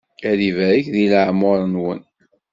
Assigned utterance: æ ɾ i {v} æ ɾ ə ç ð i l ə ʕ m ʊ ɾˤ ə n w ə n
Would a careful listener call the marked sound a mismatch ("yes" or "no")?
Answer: no